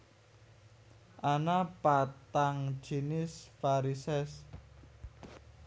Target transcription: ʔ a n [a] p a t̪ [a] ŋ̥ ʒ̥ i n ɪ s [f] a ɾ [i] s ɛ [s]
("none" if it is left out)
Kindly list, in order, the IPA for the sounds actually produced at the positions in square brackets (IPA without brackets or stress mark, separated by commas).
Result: a, a, f, i, s